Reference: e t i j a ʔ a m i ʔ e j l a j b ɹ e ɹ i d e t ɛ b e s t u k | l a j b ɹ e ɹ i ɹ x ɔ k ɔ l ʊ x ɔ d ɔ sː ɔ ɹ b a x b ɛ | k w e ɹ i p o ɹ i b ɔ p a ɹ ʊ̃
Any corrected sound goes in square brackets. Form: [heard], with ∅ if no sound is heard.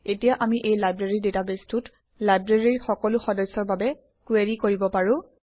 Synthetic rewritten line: e t i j a ʔ a m i ʔ e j l a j b ɹ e ɹ i d e t [a] b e s t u [t] | l a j b ɹ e ɹ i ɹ x ɔ k ɔ l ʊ x ɔ d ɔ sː ɔ ɹ b a [∅] b ɛ | k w e ɹ i [k] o ɹ i b ɔ p a ɹ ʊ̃